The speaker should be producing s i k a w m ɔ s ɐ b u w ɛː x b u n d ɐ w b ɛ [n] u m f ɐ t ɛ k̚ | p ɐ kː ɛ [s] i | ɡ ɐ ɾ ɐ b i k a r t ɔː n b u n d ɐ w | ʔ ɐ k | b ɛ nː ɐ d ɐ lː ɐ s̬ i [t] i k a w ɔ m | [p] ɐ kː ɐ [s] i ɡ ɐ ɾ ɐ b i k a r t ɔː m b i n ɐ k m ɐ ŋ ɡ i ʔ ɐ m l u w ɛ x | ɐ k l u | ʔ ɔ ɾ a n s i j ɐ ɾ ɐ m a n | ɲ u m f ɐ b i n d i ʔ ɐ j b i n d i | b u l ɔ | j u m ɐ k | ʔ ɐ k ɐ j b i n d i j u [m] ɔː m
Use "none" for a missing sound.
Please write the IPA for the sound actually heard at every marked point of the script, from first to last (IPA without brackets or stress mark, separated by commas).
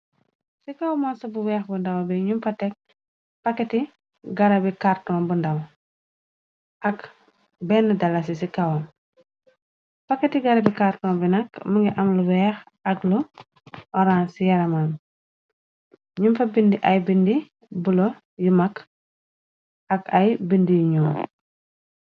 ɲ, t, s, p, t, ɲ